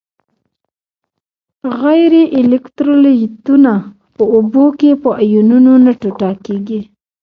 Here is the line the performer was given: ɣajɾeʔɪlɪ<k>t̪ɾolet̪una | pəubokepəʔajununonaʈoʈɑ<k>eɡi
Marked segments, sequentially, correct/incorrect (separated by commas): correct, correct